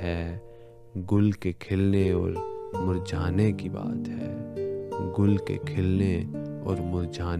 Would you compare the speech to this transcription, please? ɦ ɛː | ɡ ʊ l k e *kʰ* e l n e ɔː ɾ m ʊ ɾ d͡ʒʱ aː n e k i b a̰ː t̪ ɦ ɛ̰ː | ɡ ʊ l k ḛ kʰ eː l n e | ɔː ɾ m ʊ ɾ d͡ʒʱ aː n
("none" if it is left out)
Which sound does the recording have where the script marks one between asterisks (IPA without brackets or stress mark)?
kʰ